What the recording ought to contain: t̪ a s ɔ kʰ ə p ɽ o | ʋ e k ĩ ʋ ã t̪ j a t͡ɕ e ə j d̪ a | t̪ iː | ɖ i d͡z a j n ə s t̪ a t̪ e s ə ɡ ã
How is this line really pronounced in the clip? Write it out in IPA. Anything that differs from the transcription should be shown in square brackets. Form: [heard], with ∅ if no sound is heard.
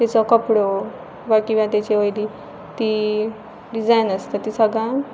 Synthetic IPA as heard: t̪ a [t͡s] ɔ [k] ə p ɽ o | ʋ [a] k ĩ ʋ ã t̪ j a t͡ɕ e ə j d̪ [i] | t̪ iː | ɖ i d͡z a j n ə s t̪ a t̪ [i] s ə ɡ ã